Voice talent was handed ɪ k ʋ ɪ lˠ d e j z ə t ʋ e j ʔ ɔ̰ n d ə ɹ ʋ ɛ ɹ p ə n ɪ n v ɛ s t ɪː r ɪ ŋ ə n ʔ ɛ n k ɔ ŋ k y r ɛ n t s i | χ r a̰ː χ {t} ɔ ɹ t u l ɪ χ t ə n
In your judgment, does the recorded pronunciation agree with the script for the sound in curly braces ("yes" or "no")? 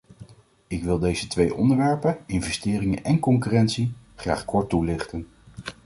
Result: no